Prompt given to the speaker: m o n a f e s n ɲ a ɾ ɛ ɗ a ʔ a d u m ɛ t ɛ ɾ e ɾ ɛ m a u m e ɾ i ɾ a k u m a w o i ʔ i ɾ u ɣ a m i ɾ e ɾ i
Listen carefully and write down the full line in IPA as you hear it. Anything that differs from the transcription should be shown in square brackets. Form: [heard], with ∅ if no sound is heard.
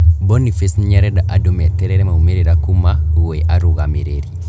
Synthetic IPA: [b] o n [i] f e s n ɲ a ɾ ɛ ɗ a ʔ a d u m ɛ t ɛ ɾ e ɾ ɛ m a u m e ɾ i ɾ a k u m a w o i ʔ [a] ɾ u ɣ a m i ɾ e ɾ i